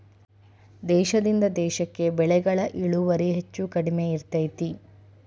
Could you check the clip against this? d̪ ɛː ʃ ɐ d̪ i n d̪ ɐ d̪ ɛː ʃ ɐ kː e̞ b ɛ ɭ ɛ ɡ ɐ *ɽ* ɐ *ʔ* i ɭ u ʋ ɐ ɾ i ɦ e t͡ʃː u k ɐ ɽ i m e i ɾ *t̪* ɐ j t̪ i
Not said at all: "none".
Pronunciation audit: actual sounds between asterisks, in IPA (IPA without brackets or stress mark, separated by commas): ɭ, ʔ, t̪